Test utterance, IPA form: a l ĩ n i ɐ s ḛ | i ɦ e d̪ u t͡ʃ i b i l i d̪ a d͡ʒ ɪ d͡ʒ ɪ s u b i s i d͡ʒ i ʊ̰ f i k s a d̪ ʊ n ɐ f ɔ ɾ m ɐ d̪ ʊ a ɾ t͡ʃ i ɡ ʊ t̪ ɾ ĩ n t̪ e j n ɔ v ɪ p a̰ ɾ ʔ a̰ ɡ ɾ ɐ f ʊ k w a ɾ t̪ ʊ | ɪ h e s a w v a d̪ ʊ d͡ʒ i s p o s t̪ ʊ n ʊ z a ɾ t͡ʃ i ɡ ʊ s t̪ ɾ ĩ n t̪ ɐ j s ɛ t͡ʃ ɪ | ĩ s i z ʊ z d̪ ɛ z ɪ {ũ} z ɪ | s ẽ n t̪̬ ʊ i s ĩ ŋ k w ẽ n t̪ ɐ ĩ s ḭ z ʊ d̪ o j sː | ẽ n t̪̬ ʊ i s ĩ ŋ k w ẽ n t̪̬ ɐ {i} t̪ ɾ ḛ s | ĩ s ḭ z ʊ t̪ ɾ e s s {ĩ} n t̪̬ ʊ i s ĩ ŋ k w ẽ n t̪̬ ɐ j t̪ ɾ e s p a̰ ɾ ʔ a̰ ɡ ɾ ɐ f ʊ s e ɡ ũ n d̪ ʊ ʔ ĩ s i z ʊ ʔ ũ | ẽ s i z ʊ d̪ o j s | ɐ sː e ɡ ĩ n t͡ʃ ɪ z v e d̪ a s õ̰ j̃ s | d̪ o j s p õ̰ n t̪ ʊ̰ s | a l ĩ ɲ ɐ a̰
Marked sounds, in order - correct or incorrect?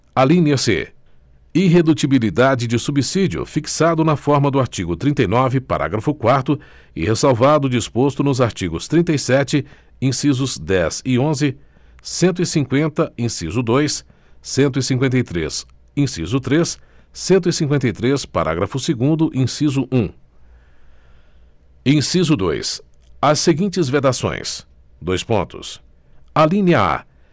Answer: incorrect: õ, incorrect: j, incorrect: ẽ

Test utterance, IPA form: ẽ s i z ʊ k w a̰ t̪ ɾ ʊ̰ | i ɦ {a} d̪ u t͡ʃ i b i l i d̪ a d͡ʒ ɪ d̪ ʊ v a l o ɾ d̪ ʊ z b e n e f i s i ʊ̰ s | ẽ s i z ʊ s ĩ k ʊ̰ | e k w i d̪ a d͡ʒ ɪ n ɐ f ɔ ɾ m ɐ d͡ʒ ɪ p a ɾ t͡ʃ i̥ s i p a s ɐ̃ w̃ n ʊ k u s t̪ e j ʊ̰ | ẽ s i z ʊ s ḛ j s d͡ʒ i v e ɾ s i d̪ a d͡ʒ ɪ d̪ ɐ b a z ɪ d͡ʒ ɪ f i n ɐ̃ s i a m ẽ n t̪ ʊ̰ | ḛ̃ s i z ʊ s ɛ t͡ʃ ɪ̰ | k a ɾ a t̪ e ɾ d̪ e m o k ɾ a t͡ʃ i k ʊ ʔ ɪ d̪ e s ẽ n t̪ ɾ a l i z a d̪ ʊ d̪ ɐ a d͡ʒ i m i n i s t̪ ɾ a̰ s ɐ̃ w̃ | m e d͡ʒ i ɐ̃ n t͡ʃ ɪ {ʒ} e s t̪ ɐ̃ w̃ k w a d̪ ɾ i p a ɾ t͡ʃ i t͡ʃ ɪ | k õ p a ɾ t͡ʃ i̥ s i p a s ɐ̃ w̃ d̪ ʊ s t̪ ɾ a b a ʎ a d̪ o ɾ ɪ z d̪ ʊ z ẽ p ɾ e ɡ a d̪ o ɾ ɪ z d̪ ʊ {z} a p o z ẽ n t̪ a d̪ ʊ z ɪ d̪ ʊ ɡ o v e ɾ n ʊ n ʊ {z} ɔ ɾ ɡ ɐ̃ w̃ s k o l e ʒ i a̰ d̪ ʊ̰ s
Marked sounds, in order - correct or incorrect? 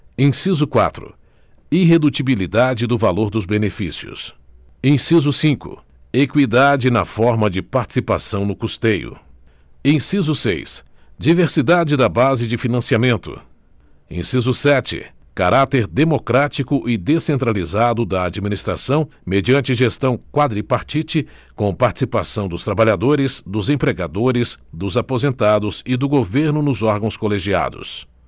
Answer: incorrect: e, correct, correct, correct

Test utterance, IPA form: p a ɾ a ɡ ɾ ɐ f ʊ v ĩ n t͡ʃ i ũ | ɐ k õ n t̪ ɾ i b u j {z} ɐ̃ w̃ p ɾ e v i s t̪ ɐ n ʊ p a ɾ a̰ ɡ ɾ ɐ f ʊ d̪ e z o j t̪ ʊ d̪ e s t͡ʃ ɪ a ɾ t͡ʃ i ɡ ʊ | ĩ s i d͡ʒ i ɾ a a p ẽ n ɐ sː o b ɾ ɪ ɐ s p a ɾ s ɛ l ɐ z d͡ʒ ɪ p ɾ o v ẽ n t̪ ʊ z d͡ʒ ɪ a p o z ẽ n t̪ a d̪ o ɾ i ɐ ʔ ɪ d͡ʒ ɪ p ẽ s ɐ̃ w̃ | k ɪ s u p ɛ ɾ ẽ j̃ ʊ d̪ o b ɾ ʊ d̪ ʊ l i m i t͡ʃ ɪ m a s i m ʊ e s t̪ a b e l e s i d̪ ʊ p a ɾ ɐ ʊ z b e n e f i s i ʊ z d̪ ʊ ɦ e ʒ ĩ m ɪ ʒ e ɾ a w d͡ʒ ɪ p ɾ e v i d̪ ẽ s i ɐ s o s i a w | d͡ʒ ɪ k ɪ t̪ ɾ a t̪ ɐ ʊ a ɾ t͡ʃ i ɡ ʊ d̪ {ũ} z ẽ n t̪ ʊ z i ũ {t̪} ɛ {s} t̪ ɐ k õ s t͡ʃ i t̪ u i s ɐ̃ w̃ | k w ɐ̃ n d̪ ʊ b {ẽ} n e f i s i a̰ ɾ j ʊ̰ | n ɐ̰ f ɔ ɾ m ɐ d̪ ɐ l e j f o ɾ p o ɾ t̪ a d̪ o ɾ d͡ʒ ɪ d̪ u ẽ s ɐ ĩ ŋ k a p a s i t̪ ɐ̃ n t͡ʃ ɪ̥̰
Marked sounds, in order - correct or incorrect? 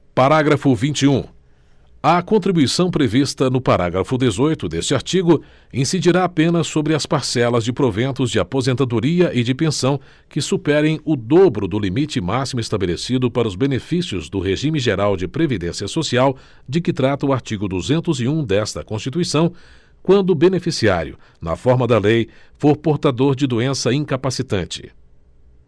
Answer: incorrect: s, incorrect: u, incorrect: d̪, correct, incorrect: e

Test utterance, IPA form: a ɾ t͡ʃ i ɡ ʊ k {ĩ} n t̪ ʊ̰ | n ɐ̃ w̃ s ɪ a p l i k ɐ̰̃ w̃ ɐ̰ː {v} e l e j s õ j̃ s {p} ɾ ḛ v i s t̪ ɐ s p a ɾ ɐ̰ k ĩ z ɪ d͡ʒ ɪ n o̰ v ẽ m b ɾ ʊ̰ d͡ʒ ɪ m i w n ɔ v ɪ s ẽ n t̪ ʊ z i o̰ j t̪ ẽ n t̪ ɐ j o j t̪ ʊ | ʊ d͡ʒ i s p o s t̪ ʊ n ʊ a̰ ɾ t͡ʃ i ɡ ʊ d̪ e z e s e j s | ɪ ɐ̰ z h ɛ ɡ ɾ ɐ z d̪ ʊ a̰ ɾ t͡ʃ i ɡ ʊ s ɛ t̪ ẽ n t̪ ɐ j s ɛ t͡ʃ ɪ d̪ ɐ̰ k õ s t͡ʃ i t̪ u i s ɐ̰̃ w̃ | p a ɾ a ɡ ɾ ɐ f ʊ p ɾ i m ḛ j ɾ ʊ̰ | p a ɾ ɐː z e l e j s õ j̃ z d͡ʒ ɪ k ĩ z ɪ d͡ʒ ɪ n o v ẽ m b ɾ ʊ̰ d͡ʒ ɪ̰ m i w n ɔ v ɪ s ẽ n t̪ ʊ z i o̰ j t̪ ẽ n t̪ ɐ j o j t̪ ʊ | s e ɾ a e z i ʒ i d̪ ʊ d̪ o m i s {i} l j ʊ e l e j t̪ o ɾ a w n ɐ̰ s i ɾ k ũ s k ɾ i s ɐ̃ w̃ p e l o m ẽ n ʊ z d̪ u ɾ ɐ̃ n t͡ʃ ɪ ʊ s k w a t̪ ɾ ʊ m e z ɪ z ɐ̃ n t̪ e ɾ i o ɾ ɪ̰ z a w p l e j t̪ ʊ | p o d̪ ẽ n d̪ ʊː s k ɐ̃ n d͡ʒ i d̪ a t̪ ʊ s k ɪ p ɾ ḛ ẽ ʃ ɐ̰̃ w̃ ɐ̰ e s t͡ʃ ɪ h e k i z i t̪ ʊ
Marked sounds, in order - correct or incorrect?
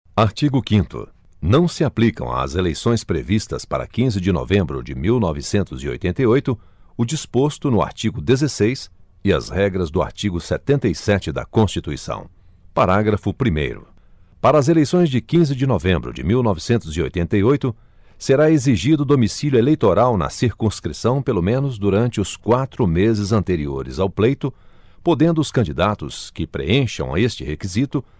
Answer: correct, incorrect: z, correct, correct

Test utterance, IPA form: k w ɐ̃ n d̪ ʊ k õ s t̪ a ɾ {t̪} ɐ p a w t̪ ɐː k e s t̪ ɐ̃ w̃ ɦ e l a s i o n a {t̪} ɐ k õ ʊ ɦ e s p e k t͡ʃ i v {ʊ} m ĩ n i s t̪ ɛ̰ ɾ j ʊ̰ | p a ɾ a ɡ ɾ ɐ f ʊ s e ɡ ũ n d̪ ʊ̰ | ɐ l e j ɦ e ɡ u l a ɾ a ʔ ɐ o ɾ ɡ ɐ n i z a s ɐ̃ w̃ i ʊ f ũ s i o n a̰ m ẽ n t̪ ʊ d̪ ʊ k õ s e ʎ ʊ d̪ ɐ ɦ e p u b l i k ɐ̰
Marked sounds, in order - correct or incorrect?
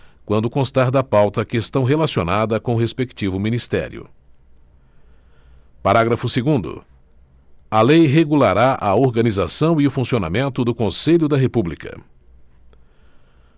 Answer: incorrect: d̪, incorrect: d̪, correct

